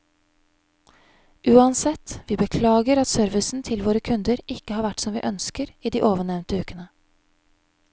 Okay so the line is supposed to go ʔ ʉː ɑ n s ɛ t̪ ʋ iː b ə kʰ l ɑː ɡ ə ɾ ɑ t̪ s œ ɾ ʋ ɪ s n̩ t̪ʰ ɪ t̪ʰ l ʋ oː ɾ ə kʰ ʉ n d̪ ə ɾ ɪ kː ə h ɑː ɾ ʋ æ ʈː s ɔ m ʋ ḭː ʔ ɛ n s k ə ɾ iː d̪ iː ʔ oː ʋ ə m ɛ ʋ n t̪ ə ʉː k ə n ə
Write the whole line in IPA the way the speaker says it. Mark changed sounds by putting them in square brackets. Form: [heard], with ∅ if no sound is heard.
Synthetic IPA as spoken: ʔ ʉː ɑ n s ɛ t̪ ʋ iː b ə kʰ l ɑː ɡ ə ɾ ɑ t̪ s œ ɾ ʋ ɪ s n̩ t̪ʰ ɪ [∅] l ʋ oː ɾ ə kʰ ʉ n d̪ ə ɾ ɪ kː ə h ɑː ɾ ʋ æ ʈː s ɔ m ʋ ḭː ʔ [œ] n s k ə ɾ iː d̪ iː ʔ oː ʋ ə [ɳ] ɛ ʋ n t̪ ə ʉː k ə n ə